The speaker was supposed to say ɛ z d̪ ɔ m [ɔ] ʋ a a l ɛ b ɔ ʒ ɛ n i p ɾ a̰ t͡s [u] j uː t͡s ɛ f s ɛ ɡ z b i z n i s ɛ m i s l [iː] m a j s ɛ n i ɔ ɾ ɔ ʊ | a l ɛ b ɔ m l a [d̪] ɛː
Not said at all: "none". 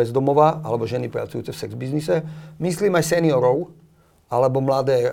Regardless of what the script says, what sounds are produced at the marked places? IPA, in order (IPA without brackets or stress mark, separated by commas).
ɔ, u, iː, d̪